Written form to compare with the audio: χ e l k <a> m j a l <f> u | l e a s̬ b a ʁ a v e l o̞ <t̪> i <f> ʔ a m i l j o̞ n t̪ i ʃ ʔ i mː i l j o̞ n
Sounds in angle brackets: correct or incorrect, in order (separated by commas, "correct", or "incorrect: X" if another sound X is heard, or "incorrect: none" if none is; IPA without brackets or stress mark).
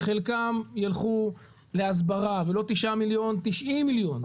correct, incorrect: χ, correct, incorrect: ʃ